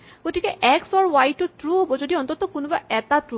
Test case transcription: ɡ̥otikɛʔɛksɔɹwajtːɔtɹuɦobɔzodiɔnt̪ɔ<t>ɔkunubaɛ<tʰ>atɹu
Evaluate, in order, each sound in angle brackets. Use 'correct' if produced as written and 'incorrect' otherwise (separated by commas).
correct, incorrect